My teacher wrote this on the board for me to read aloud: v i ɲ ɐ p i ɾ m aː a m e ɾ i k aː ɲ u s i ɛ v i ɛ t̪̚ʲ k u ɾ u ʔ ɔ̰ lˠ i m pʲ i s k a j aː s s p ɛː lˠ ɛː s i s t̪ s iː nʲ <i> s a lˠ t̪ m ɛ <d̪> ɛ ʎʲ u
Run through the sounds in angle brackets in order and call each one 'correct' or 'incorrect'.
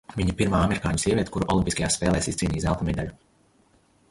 incorrect, correct

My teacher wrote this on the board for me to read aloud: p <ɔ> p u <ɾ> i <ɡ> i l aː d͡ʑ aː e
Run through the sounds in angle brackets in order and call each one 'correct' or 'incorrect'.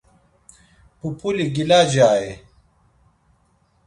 incorrect, incorrect, correct

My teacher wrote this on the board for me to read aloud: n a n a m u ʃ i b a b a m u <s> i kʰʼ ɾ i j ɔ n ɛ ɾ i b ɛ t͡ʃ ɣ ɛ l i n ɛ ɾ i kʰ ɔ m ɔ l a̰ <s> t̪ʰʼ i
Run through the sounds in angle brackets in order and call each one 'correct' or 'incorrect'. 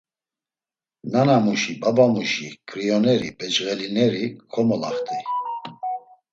incorrect, incorrect

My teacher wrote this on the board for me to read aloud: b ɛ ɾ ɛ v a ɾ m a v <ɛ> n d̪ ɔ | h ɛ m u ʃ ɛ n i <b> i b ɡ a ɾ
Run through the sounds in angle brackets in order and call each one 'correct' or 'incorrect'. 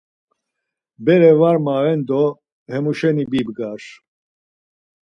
correct, correct

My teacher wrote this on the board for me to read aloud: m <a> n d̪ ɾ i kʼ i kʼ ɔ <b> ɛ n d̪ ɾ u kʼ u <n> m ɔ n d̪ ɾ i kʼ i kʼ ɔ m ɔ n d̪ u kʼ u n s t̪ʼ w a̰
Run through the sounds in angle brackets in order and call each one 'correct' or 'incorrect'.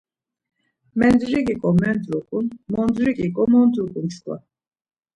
incorrect, incorrect, correct

